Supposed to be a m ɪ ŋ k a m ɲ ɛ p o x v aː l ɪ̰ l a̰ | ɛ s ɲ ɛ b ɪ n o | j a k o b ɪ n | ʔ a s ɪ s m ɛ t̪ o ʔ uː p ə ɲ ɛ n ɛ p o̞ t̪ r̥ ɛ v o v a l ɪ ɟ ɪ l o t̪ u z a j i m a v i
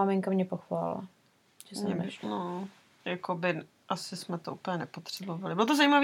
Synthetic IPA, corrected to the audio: a m ɪ ŋ k a m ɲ ɛ p o x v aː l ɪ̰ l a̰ | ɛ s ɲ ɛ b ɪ n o | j a k o b ɪ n | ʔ a s ɪ s m ɛ t̪ o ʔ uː p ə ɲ ɛ n ɛ p o̞ t̪ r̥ ɛ b o v a l ɪ b ɪ l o t̪ o z a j i m a v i